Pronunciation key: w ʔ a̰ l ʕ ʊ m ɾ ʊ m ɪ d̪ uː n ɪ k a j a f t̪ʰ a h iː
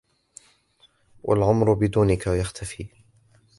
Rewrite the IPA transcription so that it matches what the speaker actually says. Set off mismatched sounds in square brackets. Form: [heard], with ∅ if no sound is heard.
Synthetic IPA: w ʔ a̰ l ʕ ʊ m ɾ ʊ [b] ɪ d̪ uː n ɪ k a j a [x] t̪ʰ a [f] iː